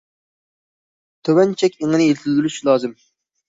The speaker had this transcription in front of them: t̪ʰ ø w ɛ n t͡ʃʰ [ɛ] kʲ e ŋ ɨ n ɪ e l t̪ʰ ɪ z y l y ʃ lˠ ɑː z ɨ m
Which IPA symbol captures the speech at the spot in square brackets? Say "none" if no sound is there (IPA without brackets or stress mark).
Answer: ɛ